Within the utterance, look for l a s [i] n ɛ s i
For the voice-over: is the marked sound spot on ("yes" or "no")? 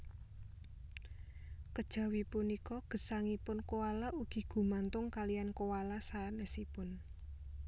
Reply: no